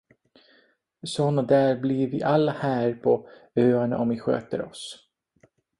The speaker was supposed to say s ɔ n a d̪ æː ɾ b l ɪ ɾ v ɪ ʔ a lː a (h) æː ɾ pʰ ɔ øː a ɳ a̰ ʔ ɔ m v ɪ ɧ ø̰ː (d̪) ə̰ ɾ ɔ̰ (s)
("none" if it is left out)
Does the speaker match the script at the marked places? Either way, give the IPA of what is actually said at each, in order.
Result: h, t̪, s

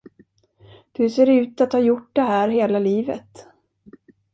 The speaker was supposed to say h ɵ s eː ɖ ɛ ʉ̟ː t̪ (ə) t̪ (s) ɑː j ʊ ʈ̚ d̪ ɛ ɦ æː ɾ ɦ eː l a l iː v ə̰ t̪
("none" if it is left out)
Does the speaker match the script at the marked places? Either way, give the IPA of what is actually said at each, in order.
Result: a, h

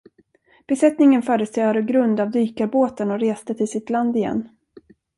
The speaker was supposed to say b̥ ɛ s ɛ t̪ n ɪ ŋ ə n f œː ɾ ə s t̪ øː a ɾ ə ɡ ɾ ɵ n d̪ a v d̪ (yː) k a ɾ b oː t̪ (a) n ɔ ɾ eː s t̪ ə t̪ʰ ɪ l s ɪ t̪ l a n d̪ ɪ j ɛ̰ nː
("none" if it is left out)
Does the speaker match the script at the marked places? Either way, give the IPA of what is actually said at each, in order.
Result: yː, ə

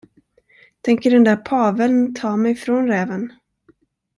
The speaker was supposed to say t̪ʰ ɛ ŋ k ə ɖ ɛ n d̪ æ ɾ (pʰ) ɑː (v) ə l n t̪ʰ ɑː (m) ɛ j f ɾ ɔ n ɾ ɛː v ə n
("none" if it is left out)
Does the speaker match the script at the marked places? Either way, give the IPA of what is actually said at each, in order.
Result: pʰ, v, m

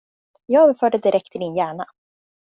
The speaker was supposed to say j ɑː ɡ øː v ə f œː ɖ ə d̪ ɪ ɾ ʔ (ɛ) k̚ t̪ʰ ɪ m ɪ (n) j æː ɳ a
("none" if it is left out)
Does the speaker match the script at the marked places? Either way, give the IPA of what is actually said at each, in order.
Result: ɛ, n

